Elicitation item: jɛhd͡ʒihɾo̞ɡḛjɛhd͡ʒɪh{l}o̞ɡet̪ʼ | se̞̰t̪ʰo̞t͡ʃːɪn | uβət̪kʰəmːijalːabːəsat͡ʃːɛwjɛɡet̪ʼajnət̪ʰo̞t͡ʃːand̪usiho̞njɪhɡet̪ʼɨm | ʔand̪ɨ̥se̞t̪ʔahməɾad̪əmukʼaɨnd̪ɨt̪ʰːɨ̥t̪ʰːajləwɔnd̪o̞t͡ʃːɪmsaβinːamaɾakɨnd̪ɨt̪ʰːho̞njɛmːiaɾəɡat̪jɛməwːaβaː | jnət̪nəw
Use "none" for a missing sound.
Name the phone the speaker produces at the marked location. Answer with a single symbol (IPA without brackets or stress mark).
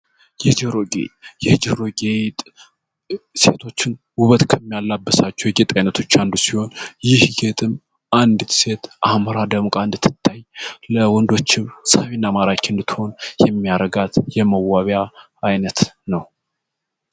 ɾ